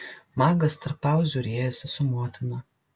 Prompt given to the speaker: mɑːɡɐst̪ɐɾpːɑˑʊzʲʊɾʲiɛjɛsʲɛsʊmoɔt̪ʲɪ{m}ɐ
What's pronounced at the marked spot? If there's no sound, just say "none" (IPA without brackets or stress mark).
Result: n